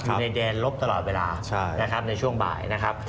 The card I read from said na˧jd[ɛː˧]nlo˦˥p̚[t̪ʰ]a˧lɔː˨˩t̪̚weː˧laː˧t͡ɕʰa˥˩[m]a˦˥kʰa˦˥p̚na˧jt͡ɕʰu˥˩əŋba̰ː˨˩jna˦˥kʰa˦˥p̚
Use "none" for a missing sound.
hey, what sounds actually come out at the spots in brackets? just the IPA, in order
ɛː˧, t̪, n

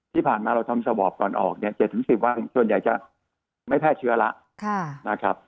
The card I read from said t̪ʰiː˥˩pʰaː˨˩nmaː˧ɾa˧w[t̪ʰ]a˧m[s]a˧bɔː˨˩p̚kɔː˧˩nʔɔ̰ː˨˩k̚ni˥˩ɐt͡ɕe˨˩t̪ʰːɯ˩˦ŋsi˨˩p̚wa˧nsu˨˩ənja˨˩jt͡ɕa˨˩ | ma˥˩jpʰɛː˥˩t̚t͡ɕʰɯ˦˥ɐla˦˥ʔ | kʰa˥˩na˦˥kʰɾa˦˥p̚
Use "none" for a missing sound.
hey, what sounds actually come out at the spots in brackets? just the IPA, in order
t̪ʰ, s

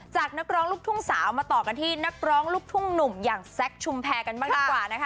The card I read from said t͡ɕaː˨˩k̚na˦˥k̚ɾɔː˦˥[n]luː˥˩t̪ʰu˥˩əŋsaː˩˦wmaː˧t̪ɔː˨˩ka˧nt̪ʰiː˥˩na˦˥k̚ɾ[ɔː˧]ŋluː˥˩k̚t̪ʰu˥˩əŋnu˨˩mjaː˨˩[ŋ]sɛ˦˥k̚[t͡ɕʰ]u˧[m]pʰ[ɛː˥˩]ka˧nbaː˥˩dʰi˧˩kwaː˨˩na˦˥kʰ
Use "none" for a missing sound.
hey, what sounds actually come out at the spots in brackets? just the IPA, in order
ŋ, ɔː˦˥, ŋ, t͡ɕʰ, m, ɛː˧

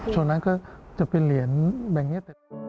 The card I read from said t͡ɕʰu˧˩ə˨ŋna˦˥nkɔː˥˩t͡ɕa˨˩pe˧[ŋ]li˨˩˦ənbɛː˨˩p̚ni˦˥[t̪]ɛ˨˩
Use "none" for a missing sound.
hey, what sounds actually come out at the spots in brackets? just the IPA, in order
n, t̪

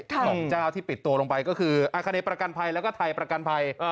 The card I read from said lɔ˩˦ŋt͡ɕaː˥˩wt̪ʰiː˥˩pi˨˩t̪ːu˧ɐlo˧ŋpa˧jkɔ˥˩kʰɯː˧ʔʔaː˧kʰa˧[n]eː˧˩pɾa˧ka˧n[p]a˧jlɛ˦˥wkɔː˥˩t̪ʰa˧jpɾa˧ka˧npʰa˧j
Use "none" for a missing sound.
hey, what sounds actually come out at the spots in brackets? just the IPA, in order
n, pʰ

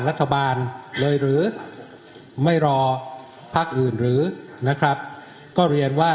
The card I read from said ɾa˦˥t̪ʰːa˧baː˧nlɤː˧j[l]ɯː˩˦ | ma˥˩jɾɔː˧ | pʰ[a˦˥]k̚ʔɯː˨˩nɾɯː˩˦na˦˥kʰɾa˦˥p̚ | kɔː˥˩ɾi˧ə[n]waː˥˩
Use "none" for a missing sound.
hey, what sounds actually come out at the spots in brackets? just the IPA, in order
ɾ, a˦˥, n

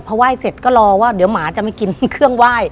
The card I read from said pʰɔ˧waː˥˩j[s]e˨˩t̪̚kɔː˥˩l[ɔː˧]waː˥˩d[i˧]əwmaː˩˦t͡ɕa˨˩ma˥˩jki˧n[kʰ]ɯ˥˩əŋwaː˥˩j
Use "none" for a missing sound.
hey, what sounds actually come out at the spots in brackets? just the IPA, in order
s, ɔː˧, i˩˦, kʰ

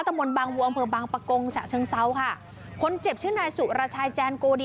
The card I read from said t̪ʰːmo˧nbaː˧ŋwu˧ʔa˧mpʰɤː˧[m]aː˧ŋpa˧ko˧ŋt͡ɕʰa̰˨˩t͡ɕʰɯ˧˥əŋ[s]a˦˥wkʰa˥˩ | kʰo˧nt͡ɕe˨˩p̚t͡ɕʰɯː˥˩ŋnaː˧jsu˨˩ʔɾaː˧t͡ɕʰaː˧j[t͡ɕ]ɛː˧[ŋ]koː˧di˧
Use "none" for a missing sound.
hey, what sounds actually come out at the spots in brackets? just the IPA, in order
b, s, t͡ɕ, n

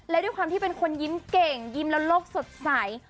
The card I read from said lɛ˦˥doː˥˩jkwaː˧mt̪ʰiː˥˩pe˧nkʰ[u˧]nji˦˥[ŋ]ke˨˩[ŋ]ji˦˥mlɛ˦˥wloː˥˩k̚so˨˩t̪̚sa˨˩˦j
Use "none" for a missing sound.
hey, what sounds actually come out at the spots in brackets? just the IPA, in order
o˧, m, ŋ

